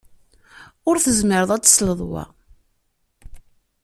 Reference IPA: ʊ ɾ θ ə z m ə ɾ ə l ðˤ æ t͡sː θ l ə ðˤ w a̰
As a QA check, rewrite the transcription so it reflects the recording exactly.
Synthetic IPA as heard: ʊ ɾ θ ə z m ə ɾ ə ðˤ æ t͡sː s l ə ðˤ w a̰